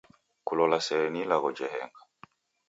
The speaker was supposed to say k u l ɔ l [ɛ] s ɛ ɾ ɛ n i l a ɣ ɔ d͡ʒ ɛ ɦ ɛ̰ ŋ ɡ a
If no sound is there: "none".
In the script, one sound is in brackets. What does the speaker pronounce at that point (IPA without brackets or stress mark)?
a